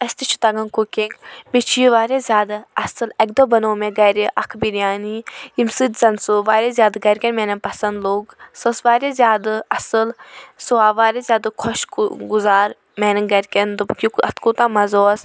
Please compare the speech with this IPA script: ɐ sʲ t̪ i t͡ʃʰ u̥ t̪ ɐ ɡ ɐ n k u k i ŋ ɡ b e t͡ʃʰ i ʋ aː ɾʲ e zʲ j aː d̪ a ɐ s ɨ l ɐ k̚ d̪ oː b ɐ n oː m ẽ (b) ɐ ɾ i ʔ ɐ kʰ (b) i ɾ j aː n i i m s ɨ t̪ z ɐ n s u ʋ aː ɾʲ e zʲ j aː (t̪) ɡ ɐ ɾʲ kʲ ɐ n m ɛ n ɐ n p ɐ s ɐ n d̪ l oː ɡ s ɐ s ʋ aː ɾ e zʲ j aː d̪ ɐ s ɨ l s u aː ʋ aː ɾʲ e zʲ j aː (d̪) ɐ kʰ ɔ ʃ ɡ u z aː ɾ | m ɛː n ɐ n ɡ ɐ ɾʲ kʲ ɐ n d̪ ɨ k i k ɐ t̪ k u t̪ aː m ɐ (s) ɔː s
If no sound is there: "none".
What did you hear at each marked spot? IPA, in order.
ɡ, b, d̪, d̪, z

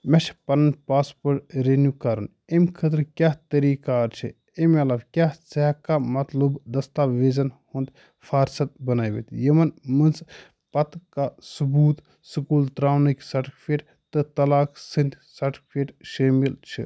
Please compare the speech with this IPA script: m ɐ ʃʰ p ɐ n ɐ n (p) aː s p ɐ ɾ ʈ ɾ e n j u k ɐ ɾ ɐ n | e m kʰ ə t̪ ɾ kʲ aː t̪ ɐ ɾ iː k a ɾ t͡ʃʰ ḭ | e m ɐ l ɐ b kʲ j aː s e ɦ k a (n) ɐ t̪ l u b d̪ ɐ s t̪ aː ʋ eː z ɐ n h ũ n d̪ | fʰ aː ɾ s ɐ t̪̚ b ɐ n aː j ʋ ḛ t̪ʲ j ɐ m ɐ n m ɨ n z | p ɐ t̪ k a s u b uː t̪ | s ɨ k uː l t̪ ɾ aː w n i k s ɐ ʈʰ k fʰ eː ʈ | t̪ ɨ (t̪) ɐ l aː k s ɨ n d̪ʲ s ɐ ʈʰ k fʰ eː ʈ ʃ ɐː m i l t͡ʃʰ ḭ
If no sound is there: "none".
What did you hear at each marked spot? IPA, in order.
p, m, t̪

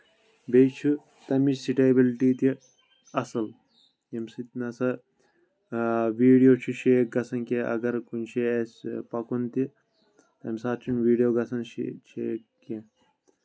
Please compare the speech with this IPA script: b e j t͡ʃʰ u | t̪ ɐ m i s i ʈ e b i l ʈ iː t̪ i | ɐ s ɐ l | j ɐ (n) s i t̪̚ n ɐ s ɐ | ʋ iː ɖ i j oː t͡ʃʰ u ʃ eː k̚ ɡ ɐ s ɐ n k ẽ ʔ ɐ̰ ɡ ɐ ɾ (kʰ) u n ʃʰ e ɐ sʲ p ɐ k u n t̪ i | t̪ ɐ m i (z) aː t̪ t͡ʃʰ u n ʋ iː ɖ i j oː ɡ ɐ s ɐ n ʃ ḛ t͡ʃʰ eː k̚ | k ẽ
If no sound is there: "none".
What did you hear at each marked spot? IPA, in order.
m, k, s

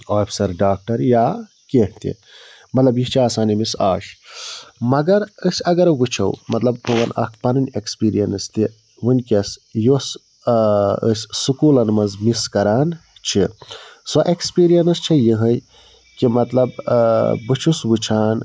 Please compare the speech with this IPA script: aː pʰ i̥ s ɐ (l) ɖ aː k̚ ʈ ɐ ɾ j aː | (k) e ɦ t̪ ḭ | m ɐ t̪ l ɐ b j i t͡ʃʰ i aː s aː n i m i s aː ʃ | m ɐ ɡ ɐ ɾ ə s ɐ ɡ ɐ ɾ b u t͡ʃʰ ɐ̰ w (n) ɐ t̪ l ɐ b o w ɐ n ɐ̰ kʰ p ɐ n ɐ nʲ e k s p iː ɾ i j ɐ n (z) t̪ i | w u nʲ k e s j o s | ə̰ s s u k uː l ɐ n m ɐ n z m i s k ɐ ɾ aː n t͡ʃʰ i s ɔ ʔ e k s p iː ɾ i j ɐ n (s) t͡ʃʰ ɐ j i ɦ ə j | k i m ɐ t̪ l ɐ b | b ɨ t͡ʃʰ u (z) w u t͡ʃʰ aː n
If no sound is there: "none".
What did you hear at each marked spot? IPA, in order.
ɾ, k, m, s, s, s

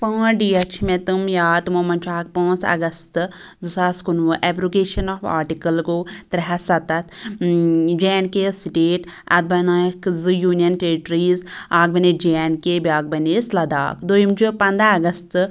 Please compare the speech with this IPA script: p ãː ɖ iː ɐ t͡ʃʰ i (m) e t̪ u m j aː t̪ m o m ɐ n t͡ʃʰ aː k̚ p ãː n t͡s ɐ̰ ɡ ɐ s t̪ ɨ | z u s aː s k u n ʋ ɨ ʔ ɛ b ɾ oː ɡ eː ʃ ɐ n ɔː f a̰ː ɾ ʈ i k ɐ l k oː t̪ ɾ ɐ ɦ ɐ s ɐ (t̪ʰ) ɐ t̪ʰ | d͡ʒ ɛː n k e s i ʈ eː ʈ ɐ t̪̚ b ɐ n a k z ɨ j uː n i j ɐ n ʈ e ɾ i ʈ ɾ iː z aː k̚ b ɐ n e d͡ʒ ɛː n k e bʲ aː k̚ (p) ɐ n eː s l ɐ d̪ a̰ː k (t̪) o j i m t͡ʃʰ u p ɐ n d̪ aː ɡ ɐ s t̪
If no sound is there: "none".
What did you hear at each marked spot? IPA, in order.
m, t̪, b, d̪

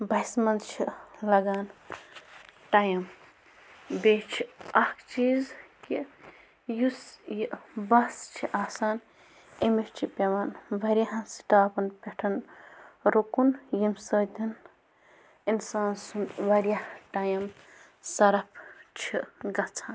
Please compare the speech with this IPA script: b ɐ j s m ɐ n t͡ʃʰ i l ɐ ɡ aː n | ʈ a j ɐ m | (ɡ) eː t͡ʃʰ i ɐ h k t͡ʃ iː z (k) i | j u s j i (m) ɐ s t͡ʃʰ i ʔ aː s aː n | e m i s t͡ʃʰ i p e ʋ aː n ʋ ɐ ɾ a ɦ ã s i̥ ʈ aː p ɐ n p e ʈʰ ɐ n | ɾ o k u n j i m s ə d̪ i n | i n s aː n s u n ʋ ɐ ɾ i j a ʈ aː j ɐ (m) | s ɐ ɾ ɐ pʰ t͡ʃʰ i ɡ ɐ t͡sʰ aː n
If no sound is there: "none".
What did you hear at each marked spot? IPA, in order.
b, k, b, m

